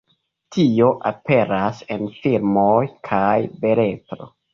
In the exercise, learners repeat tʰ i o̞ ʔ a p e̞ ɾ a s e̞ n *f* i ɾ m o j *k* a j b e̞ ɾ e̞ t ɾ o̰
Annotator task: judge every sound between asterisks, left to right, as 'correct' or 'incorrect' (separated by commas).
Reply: correct, incorrect